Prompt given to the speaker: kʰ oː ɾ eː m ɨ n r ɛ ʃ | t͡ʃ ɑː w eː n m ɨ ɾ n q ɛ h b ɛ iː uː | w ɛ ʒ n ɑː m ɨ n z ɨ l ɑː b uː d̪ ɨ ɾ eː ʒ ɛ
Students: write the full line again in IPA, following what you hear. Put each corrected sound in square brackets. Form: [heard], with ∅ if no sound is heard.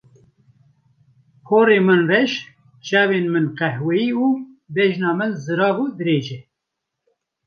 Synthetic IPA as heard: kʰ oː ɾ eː m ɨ n r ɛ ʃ | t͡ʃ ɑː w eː n m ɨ [∅] n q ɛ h [w] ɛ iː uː | [b] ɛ ʒ n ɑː m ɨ n z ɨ [ɾ] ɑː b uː d̪ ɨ ɾ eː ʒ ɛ

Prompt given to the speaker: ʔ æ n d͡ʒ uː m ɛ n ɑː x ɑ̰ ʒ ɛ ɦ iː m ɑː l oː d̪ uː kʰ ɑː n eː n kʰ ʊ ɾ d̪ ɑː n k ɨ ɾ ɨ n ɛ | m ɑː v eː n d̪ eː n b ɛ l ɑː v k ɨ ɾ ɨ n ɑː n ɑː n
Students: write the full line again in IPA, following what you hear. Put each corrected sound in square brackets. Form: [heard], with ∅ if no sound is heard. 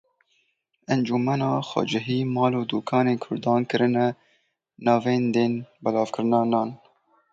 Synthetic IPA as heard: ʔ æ n d͡ʒ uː m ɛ n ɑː x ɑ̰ [d͡ʒ] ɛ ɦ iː m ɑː l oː d̪ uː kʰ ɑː n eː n kʰ ʊ ɾ d̪ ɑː n k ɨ ɾ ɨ n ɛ | [n] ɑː v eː n d̪ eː n b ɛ l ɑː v k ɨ ɾ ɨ n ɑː n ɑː n

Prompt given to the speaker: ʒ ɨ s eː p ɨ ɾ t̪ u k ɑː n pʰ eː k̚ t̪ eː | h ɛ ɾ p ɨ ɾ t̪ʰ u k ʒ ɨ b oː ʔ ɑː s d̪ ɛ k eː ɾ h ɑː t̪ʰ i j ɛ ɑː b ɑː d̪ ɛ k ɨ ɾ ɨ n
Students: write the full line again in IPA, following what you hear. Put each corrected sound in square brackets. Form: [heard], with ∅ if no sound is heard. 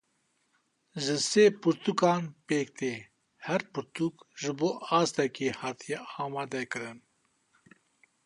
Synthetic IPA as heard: ʒ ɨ s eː p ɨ ɾ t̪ u k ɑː n [p] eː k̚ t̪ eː | h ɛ ɾ p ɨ ɾ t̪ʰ u k ʒ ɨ b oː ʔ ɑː s [t̪] ɛ k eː [∅] h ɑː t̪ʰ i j ɛ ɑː [m] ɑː d̪ ɛ k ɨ ɾ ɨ n

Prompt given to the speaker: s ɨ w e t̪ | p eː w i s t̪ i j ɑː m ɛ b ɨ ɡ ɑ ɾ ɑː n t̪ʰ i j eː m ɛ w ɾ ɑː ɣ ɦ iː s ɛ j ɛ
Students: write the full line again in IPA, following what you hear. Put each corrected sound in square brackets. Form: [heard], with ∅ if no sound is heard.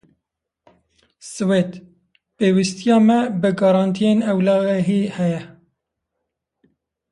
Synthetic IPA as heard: s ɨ w e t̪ | p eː w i s t̪ i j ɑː m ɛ b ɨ ɡ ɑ ɾ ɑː n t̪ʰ i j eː [n] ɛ w [l] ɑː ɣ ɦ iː [h] ɛ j ɛ

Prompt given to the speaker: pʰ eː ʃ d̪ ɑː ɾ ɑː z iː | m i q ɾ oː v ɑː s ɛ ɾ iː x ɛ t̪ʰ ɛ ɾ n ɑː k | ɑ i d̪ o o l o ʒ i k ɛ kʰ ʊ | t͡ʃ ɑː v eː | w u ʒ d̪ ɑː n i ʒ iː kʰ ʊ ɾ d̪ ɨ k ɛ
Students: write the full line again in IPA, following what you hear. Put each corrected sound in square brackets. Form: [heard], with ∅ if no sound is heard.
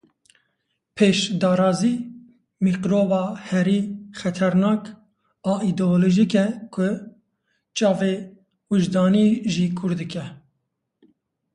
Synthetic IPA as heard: pʰ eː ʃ d̪ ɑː ɾ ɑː z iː | m i q ɾ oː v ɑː [h] ɛ ɾ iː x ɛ t̪ʰ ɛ ɾ n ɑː k | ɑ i d̪ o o l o ʒ i k ɛ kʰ ʊ | t͡ʃ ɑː v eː | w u ʒ d̪ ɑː n i ʒ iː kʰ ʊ ɾ d̪ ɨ k ɛ

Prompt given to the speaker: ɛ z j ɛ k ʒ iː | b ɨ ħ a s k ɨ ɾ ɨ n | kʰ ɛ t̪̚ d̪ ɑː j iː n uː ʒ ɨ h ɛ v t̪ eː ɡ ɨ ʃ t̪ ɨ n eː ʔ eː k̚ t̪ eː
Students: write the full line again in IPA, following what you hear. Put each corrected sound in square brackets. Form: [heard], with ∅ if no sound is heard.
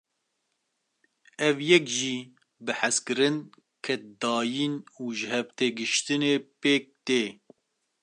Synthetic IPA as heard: ɛ [v] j ɛ k ʒ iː | b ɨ ħ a s k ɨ ɾ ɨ n | kʰ ɛ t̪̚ d̪ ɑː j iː n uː ʒ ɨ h ɛ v t̪ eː ɡ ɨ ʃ t̪ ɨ n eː [p] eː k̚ t̪ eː

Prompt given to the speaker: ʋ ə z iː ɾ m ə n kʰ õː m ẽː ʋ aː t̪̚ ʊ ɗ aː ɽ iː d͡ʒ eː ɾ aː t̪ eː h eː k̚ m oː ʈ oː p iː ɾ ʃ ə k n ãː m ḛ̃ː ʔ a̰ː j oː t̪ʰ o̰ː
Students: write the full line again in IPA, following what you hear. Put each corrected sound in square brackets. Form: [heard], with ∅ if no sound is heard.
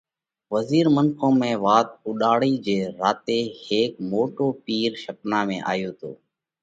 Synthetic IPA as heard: ʋ ə z iː ɾ m ə n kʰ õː m ẽː ʋ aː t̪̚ ʊ ɗ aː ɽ iː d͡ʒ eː ɾ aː t̪ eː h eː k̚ m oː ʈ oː p iː ɾ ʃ ə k n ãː m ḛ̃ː ʔ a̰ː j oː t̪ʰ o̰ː

